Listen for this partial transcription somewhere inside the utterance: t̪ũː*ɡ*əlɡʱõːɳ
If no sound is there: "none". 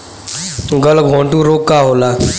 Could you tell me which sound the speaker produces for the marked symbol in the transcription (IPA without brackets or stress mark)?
ɡ